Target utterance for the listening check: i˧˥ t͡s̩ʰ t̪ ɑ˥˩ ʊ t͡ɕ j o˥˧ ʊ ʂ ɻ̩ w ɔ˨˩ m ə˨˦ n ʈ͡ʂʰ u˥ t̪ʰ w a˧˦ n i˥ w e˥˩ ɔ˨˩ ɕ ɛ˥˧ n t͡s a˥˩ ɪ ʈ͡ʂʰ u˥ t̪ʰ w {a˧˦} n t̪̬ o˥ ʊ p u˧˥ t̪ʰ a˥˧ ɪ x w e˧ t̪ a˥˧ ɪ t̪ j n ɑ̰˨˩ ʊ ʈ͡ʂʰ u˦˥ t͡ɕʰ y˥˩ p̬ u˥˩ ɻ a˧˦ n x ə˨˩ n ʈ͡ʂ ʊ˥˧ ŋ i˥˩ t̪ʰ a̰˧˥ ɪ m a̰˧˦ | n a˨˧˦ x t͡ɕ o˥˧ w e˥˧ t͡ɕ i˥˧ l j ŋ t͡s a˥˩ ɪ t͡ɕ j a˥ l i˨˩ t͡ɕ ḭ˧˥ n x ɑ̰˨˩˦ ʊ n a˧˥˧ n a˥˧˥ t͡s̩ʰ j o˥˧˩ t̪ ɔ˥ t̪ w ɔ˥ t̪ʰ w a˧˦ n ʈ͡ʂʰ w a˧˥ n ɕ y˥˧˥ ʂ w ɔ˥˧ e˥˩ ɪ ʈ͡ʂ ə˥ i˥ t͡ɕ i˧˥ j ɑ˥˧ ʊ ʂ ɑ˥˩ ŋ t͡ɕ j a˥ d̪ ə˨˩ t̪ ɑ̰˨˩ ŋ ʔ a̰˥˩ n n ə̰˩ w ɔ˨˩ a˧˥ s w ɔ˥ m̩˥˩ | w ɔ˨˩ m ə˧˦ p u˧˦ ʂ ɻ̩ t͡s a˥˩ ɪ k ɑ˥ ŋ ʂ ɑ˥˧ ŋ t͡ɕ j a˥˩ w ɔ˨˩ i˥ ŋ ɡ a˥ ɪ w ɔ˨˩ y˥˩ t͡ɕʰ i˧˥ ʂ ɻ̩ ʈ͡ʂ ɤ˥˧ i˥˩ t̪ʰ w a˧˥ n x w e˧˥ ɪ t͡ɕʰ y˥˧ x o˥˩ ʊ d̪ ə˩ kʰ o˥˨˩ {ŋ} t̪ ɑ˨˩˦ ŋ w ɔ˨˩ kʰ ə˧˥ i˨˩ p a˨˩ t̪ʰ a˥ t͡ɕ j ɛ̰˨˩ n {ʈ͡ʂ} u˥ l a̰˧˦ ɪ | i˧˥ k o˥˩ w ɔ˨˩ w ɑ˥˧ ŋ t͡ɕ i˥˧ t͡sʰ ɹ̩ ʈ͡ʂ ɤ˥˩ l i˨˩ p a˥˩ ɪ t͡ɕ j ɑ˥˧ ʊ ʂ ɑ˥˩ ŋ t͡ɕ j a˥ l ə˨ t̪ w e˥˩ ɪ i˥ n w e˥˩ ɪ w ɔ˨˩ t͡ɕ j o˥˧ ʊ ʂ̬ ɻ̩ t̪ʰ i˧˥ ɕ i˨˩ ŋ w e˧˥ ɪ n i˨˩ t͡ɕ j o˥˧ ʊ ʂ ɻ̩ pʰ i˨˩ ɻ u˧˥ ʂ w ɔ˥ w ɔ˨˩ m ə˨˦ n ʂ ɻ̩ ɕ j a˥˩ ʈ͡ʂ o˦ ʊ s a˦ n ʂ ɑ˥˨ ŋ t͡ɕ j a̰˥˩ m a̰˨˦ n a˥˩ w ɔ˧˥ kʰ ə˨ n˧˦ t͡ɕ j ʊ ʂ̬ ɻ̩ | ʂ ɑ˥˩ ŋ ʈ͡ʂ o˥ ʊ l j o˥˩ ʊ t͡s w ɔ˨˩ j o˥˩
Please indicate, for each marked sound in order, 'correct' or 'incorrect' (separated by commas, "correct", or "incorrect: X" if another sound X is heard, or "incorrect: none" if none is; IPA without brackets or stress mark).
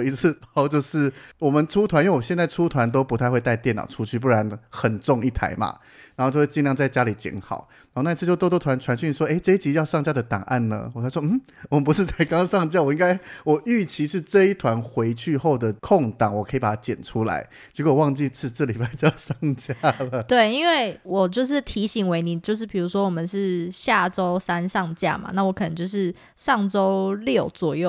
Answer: correct, correct, incorrect: ʈ͡ʂʰ